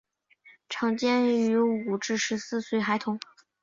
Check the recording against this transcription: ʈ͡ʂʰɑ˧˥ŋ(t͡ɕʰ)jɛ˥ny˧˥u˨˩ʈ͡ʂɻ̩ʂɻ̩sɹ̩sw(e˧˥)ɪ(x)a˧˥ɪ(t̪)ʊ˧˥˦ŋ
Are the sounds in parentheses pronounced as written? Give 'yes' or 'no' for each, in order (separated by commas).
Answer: no, no, yes, no